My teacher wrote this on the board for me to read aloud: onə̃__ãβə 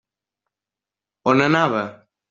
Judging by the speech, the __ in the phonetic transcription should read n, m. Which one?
n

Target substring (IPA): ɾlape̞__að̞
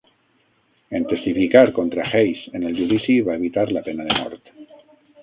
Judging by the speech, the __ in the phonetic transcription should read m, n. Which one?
n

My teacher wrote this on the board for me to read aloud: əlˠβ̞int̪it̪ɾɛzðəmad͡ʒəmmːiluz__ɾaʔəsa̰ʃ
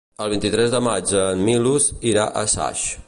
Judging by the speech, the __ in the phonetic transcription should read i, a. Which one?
i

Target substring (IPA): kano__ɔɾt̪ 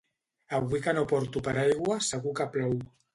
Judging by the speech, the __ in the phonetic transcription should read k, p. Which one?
p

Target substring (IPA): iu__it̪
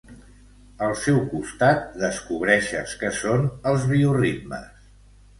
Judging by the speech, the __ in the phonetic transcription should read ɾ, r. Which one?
r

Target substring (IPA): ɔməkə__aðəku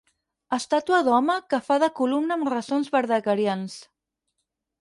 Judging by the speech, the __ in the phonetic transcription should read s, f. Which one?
f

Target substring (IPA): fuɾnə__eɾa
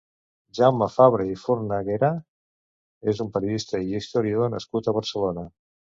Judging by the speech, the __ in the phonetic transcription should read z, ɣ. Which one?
ɣ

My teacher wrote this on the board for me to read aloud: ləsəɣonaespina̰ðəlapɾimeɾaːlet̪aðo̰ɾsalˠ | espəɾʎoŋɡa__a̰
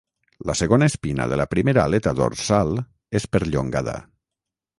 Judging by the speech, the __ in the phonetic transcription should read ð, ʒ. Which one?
ð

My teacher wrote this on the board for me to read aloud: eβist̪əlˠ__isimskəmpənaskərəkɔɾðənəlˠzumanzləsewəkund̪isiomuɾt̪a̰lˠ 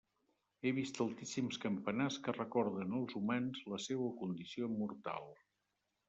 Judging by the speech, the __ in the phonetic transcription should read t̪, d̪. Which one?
t̪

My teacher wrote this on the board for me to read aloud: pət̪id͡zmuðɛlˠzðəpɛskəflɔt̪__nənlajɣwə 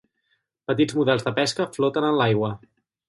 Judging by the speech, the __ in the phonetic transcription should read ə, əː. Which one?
ə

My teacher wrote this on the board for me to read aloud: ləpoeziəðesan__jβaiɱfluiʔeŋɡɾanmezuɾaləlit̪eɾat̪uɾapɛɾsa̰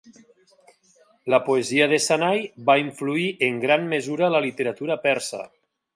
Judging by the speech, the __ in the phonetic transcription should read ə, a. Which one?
a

